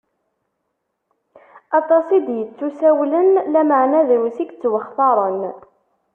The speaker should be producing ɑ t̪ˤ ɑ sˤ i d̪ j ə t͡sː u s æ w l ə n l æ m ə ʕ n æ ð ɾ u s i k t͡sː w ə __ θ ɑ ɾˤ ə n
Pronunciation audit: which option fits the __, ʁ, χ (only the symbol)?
χ